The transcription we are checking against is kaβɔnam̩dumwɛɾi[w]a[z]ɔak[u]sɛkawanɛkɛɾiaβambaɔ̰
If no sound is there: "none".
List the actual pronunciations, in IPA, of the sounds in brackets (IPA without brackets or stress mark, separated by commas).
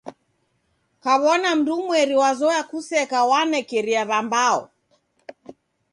w, z, u